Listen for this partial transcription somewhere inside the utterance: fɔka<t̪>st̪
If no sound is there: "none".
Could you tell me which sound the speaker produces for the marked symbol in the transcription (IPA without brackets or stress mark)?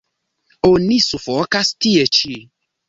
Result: none